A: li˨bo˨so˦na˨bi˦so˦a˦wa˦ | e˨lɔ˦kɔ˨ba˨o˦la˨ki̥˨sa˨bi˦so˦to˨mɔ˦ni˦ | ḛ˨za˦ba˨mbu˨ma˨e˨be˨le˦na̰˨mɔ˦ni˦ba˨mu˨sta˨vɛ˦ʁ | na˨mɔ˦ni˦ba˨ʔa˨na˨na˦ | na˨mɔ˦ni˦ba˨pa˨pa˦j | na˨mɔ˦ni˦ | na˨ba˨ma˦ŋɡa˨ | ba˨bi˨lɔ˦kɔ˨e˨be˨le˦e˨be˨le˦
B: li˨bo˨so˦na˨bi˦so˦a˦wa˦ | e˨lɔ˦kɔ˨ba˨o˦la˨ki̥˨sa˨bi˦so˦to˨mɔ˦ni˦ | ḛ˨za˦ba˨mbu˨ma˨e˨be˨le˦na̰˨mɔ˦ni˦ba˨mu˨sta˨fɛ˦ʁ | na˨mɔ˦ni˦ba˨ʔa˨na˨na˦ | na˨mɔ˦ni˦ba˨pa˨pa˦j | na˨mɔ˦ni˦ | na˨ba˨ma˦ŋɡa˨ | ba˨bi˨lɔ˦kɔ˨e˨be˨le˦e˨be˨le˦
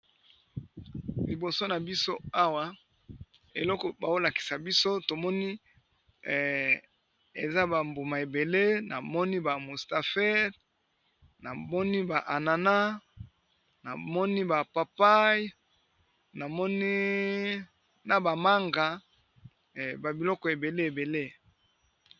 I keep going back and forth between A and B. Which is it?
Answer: B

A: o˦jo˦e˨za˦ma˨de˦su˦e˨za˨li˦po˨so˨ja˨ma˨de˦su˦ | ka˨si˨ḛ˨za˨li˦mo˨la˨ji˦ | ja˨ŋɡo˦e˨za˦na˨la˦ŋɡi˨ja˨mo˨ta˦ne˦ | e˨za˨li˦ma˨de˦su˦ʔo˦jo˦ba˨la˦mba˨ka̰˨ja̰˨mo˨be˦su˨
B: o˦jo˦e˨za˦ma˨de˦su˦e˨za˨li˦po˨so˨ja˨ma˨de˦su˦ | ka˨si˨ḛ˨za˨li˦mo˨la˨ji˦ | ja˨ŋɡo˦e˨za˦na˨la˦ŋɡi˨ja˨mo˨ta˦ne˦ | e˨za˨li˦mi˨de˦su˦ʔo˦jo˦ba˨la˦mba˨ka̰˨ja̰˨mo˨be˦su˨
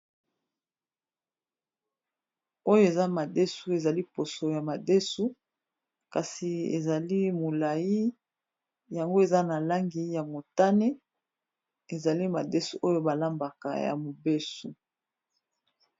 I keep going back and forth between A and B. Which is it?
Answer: A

